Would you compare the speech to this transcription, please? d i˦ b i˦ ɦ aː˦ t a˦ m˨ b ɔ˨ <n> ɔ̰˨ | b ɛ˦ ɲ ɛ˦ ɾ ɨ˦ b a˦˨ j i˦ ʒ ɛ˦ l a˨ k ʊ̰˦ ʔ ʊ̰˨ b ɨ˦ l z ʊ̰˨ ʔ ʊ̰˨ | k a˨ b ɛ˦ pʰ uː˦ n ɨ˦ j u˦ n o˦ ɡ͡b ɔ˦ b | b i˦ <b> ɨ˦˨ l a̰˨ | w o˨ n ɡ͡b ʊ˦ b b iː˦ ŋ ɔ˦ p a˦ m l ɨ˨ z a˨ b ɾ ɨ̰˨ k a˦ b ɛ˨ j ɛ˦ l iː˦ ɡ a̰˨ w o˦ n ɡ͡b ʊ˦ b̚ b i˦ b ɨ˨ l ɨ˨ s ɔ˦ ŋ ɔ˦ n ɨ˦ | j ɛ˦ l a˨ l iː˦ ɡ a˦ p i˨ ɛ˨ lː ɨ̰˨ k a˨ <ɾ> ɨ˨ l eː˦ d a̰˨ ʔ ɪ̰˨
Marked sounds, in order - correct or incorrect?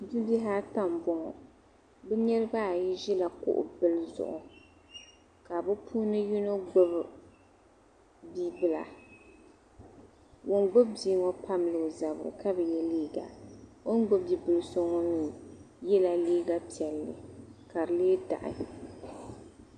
incorrect: ŋ, correct, correct

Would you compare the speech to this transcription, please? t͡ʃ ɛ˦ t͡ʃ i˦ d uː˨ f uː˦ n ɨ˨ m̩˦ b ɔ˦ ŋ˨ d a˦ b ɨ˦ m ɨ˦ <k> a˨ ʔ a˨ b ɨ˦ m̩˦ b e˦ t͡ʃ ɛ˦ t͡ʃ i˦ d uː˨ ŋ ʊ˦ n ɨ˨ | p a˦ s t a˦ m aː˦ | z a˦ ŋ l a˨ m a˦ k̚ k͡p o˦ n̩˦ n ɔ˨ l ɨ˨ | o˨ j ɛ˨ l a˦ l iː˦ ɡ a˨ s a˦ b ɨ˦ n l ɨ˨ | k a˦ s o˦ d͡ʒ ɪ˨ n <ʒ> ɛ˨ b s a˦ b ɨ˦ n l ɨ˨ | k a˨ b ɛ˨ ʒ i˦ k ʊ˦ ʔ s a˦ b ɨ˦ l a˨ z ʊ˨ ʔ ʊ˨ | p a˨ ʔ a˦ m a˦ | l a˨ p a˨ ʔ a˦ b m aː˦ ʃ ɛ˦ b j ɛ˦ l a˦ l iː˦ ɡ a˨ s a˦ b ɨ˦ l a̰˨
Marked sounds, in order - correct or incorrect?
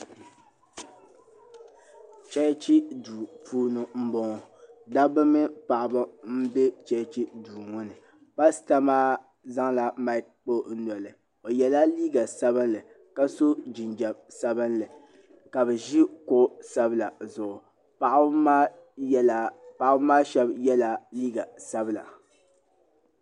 incorrect: p, incorrect: d͡ʒ

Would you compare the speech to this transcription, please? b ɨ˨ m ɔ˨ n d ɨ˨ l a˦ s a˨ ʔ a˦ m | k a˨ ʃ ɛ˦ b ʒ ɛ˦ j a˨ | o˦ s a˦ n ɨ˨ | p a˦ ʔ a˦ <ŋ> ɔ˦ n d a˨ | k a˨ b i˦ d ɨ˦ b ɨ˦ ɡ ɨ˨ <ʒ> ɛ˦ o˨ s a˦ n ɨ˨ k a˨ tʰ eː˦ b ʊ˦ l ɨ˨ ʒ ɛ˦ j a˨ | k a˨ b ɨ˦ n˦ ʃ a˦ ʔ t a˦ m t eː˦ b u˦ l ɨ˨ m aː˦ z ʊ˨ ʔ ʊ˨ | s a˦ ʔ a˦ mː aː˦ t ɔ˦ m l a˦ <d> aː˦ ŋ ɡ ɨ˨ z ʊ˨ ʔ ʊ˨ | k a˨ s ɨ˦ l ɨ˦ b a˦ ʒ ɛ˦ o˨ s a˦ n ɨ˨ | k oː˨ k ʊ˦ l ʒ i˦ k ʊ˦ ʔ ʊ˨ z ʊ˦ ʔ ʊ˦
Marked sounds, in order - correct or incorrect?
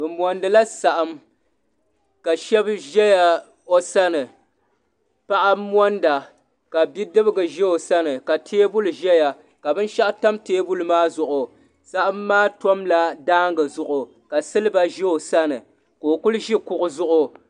incorrect: m, correct, correct

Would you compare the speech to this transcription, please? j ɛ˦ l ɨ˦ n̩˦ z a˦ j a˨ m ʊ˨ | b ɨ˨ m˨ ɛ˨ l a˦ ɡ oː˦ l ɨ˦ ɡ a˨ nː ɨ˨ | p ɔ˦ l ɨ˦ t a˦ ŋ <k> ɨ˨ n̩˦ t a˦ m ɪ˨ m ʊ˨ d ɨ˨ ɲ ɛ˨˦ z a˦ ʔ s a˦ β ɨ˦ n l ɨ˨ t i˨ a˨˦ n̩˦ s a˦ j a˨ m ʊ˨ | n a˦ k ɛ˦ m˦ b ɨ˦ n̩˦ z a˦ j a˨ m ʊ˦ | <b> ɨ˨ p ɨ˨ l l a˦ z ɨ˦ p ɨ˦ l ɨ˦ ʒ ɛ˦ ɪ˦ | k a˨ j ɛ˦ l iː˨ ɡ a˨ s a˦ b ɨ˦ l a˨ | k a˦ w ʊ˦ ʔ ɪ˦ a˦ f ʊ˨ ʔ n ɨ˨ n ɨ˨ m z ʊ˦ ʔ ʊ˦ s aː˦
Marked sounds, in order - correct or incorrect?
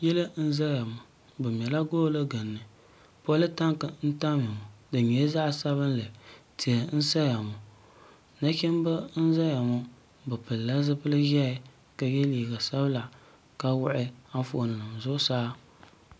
correct, correct

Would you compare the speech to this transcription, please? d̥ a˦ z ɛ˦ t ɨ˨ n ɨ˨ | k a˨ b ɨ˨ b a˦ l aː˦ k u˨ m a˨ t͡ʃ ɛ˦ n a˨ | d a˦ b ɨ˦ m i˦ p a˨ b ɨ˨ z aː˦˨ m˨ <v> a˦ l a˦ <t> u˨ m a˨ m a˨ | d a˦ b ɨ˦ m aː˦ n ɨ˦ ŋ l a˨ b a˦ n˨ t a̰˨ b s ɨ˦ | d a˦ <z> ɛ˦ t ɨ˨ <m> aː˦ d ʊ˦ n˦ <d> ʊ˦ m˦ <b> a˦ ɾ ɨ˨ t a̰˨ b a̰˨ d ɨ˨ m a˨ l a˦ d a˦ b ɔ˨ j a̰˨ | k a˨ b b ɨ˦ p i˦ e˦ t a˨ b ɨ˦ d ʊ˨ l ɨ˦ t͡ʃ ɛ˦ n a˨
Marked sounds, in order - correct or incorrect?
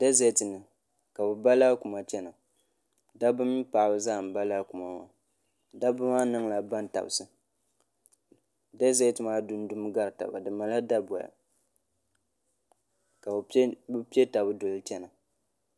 incorrect: b, incorrect: k, correct, correct, correct, incorrect: ɡ

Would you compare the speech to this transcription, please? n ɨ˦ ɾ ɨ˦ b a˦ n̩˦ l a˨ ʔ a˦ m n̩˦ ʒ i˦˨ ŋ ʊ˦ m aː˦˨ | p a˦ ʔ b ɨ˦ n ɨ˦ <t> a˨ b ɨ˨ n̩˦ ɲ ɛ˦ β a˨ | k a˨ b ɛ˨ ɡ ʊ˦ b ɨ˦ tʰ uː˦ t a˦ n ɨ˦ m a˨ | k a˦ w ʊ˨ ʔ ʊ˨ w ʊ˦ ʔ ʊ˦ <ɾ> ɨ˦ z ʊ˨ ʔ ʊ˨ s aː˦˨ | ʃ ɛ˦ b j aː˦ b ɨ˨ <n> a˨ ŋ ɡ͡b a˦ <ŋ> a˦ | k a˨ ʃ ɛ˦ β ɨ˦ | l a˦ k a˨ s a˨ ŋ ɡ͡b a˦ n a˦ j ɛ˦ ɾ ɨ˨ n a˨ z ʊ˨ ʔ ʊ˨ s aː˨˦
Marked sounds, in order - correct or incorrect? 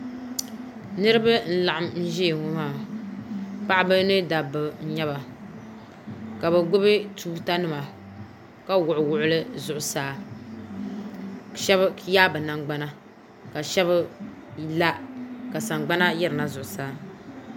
incorrect: d, incorrect: l, correct, incorrect: n

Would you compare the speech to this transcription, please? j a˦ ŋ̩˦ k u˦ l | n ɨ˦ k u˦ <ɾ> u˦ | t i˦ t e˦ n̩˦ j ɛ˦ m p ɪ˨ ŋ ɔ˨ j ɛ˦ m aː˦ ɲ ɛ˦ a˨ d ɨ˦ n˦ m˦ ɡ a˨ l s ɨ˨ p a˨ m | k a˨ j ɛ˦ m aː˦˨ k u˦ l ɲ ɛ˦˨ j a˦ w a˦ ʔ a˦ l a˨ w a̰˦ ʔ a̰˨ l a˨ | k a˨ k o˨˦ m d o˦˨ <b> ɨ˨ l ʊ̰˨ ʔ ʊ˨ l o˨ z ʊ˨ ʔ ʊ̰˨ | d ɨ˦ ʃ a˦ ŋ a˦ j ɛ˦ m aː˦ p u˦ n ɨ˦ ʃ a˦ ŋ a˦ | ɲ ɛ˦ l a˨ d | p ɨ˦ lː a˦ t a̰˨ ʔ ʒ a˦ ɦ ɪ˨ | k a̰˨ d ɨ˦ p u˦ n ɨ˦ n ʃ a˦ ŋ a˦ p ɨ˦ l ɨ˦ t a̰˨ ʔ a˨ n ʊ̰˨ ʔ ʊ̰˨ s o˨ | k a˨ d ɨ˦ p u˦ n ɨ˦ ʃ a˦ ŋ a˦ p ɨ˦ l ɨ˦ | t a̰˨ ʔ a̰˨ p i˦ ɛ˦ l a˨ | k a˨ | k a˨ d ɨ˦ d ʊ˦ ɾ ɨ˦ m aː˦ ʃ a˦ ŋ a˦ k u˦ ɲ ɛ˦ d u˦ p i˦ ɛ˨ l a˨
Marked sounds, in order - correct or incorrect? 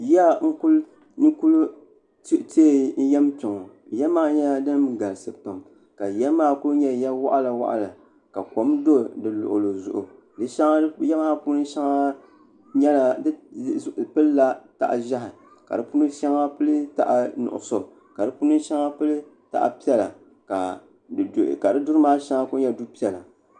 incorrect: l, incorrect: d

